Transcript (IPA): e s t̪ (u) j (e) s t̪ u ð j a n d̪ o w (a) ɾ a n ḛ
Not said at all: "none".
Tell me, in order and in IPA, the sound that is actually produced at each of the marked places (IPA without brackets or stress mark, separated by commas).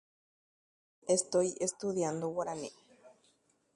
o, e, a